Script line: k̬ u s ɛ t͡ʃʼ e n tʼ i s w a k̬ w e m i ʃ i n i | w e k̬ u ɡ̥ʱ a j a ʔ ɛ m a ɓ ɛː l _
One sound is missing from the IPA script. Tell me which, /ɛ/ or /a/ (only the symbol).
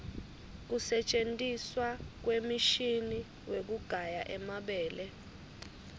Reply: ɛ